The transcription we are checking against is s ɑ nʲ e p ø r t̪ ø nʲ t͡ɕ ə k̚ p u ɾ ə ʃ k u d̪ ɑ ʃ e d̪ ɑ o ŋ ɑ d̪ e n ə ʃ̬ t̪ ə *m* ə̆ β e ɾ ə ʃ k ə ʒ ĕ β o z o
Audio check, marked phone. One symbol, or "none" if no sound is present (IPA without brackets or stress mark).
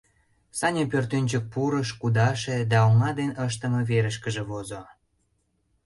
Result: m